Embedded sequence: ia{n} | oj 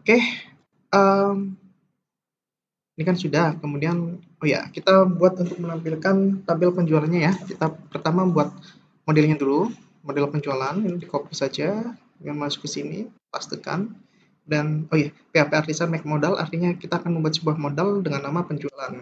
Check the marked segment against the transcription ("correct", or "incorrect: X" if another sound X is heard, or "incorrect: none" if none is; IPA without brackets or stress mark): correct